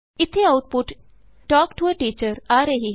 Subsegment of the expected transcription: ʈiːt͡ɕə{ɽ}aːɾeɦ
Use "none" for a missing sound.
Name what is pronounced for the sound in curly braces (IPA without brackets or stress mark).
ɾ